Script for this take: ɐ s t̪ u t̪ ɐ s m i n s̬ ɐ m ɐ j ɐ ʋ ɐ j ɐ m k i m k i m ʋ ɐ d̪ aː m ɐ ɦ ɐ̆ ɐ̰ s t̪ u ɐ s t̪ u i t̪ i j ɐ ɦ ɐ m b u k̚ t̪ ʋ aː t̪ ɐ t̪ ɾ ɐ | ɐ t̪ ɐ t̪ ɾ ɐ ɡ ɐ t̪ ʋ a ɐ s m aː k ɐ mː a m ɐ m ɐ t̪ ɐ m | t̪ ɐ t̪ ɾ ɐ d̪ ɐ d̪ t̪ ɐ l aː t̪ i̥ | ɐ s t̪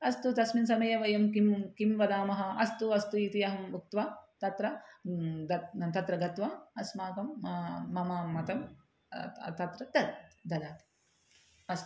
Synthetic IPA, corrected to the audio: ɐ s t̪ u t̪ ɐ s m i n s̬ ɐ m ɐ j ɐ ʋ ɐ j ɐ m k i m k i m ʋ ɐ d̪ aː m ɐ ɦ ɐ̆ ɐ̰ s t̪ u ɐ s t̪ u i t̪ i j ɐ ɦ ɐ m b u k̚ t̪ ʋ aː t̪ ɐ t̪ ɾ ɐ | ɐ t̪ ɐ t̪ ɾ ɐ ɡ ɐ t̪ ʋ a ɐ s m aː k ɐ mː ɐ m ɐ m ɐ t̪ ɐ m | t̪ ɐ t̪ ɾ ɐ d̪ ɐ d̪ d̪ ɐ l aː t̪ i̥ | ɐ s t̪